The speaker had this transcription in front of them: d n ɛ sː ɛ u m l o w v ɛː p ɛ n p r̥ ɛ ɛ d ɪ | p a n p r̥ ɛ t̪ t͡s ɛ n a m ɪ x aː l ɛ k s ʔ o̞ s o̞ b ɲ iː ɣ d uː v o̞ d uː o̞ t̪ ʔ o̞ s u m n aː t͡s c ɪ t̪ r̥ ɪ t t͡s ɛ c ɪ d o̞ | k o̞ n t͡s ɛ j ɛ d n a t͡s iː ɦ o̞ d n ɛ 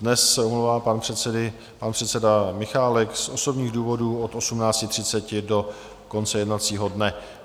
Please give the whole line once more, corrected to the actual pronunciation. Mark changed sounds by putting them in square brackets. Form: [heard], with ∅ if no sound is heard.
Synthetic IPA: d n ɛ sː ɛ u m l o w v [aː] p [a] n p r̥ ɛ ɛ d ɪ | p a n p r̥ ɛ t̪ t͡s ɛ [d] a m ɪ x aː l ɛ k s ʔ o̞ s o̞ b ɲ iː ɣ d uː v o̞ d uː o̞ t̪ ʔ o̞ s u m n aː t͡s c ɪ t̪ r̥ ɪ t t͡s ɛ c ɪ d o̞ | k o̞ n t͡s ɛ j ɛ d n a t͡s iː ɦ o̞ d n ɛ